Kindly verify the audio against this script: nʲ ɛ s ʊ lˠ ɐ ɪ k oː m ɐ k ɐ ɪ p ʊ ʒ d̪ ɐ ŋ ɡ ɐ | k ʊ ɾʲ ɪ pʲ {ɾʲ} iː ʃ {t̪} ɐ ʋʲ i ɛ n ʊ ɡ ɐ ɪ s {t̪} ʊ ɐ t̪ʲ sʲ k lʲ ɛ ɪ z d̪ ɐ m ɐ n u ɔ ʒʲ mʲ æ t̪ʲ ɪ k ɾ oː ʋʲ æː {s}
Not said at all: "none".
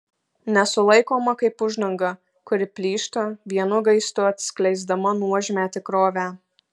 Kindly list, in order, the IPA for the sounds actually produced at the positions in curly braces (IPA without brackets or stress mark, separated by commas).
lʲ, t̪, t̪, none